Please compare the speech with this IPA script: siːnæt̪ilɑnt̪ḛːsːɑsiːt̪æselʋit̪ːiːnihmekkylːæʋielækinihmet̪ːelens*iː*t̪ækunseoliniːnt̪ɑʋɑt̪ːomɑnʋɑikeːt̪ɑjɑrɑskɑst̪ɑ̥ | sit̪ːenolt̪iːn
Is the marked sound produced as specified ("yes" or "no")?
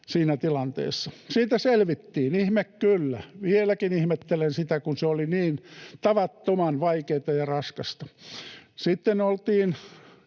no